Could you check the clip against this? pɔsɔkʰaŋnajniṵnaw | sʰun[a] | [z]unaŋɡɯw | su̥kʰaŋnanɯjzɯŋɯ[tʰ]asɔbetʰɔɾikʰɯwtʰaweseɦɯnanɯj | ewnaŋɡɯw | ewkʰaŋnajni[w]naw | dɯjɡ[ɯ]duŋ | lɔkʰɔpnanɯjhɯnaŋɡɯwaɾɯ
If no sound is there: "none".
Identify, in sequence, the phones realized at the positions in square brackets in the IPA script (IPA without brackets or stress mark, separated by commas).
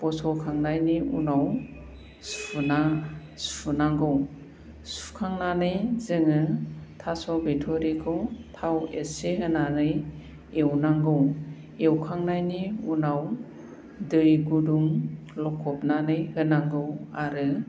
a, s, tʰ, u, u